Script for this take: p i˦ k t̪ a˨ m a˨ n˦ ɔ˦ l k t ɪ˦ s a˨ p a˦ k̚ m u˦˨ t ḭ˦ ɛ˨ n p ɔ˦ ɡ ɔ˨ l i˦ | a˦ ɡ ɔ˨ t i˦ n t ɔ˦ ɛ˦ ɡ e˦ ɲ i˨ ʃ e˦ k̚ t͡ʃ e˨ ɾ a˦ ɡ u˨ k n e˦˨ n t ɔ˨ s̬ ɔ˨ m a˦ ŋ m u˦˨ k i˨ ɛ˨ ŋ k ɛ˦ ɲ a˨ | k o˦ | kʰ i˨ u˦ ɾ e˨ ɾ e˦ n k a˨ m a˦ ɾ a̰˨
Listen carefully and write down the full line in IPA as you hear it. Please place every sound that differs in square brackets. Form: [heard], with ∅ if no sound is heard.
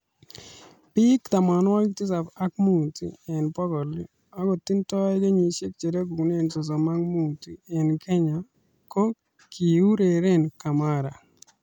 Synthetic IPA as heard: p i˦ k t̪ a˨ m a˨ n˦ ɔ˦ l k t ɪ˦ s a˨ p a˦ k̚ m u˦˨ t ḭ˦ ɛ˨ n p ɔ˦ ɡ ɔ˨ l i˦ | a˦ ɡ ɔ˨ t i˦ n t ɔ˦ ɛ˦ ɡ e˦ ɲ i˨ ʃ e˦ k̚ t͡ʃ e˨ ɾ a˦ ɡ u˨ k n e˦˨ n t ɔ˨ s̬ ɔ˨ m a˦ ŋ m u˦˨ [t] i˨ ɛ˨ [n] k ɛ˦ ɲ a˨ | k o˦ | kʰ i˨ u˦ ɾ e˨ ɾ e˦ n k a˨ m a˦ ɾ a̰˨

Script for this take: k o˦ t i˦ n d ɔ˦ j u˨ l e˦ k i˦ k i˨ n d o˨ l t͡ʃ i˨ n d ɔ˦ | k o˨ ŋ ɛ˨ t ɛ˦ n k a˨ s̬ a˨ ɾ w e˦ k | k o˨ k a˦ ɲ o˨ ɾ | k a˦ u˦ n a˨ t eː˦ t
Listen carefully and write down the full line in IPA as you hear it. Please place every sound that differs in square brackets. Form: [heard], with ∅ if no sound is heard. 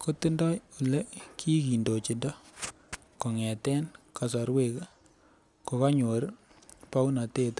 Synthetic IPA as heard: k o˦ t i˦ n d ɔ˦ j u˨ l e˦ k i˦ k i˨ n d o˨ [∅] t͡ʃ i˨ n d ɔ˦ | k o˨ ŋ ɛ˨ t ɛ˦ n k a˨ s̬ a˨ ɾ w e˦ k | k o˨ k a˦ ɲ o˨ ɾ | [p] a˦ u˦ n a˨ t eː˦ t

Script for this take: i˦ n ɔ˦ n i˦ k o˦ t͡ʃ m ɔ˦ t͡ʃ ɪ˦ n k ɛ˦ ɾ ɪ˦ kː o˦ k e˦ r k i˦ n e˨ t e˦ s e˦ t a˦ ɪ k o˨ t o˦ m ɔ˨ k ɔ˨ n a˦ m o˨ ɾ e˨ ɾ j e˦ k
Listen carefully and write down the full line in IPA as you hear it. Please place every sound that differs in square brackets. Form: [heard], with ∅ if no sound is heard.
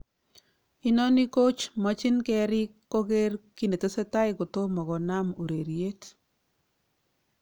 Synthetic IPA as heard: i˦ n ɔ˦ n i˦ k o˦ t͡ʃ m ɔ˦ t͡ʃ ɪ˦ n k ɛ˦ ɾ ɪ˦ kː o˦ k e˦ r k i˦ n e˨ t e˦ s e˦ t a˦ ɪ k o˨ t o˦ m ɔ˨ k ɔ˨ n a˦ m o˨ ɾ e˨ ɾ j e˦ [t]

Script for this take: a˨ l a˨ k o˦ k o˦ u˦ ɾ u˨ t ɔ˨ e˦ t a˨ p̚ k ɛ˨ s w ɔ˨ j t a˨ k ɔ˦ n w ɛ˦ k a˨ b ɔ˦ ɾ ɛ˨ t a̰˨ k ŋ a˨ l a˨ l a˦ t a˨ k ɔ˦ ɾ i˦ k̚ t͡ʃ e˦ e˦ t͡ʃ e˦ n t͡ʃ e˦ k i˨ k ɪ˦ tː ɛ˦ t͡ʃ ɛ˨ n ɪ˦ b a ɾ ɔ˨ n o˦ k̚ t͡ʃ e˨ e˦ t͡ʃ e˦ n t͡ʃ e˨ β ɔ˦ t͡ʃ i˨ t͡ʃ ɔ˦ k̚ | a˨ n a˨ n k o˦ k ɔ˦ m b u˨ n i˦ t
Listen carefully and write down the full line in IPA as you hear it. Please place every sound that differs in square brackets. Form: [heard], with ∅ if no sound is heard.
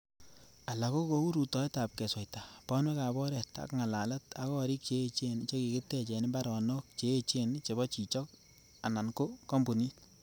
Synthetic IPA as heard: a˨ l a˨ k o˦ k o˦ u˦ ɾ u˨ t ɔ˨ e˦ t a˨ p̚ k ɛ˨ s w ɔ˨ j t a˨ [p] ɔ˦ n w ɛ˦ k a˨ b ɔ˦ ɾ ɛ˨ t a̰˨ k ŋ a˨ l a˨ l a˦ t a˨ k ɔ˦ ɾ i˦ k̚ t͡ʃ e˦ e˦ t͡ʃ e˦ n t͡ʃ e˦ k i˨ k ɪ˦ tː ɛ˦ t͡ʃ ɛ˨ n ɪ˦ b a ɾ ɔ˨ n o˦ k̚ t͡ʃ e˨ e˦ t͡ʃ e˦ n t͡ʃ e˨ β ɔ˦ t͡ʃ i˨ t͡ʃ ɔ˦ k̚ | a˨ n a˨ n k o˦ k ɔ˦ m b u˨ n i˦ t

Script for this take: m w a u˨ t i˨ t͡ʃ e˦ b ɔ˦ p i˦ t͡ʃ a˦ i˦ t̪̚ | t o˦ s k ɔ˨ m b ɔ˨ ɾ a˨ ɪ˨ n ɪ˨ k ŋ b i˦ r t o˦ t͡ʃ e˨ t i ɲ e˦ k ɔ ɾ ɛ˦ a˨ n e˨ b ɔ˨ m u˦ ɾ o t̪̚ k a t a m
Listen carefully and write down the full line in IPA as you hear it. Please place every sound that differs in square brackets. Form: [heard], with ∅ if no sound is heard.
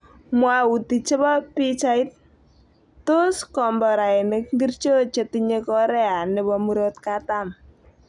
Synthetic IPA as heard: m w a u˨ t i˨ t͡ʃ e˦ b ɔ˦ p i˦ t͡ʃ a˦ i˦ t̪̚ | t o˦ s k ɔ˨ m b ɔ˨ ɾ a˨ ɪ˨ n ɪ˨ k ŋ [ɡ] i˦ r [t͡ʃ] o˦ t͡ʃ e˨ t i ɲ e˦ k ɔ ɾ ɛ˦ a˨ n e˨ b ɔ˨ m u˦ ɾ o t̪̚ k a t a m

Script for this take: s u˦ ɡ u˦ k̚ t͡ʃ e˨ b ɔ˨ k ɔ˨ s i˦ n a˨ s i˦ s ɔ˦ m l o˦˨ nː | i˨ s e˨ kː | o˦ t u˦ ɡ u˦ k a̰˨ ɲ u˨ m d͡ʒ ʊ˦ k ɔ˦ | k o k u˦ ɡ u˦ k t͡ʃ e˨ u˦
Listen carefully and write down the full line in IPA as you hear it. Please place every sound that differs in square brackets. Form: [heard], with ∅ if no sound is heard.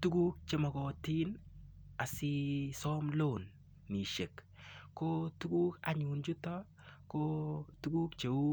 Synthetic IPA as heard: [t] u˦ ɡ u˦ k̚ t͡ʃ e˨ [m] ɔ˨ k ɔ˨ [t] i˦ n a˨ s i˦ s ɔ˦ m l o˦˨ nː | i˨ [ʃ] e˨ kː | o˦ t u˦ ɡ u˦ k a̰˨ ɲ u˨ [n] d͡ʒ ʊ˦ [t] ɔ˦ | k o [t] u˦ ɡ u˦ k t͡ʃ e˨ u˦

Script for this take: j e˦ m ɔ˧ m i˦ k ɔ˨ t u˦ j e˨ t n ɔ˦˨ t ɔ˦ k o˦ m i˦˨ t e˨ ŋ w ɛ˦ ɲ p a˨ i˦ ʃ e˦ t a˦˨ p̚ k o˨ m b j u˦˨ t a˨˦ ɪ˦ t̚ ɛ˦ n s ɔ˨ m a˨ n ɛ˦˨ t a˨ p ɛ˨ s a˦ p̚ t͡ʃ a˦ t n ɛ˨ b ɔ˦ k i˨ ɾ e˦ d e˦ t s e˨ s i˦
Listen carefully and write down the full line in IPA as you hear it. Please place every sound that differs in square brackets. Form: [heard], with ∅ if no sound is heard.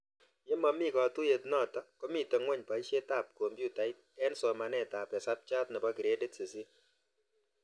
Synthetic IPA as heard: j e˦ m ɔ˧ m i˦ k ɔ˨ t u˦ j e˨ t n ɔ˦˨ t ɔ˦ k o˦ m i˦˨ t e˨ ŋ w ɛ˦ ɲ p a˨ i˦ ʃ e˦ t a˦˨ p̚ k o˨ m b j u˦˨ t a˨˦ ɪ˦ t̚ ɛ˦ n s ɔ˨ m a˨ n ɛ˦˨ t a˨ p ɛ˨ s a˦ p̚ t͡ʃ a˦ t n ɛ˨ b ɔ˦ k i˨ ɾ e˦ d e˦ t s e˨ s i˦

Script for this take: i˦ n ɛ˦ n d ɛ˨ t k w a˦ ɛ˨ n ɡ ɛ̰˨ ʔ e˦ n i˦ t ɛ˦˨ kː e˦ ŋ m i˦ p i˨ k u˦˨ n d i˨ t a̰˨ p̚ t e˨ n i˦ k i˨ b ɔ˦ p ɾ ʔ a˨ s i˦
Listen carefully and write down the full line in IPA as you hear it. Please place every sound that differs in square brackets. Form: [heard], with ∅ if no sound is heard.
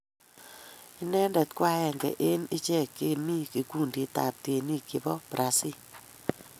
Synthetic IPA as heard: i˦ n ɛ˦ n d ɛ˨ t k w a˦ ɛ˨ [ŋ] ɡ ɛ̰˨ ʔ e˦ n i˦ [t͡ʃ] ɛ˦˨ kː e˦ [∅] m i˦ [k] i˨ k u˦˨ n d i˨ t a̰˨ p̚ t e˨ n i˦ k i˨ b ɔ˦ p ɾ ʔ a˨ s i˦

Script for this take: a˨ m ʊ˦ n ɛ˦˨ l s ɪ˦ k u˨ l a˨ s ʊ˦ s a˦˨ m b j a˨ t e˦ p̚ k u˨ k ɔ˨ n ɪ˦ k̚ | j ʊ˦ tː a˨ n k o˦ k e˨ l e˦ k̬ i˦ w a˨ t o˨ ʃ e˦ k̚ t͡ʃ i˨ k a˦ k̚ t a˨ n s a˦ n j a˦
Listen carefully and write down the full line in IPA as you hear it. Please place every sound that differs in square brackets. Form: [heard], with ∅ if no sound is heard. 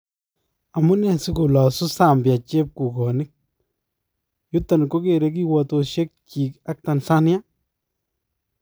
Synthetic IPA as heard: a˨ m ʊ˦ n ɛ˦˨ [∅] s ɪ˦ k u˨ l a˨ s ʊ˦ s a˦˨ m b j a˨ [t͡ʃ] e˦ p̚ k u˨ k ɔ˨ n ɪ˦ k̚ | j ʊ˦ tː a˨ n k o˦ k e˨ [ɾ] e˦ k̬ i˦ w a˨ t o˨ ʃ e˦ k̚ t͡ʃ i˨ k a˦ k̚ t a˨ n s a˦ n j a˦

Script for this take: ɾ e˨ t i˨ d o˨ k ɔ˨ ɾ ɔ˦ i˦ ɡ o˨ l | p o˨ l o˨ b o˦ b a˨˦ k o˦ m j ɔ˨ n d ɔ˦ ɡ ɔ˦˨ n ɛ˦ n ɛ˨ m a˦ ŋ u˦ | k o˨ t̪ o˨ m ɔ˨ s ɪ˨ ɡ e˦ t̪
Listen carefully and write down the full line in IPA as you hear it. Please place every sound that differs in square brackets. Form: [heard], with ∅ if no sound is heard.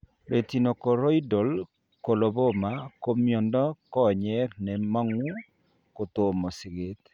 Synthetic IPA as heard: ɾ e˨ t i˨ [n] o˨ k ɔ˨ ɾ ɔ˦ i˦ [d] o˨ l | [k] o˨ l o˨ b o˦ [m] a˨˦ k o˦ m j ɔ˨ n d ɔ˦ [k] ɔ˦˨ [ɲ] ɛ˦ n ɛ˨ m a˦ ŋ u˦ | k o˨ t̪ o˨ m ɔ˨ s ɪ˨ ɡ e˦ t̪

